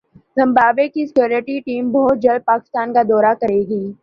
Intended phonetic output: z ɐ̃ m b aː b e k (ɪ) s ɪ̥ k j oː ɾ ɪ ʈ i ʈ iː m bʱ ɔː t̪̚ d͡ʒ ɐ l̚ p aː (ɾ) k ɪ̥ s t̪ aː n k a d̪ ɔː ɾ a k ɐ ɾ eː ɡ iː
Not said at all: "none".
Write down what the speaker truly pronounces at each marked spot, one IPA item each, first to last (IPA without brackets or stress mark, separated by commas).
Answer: i, none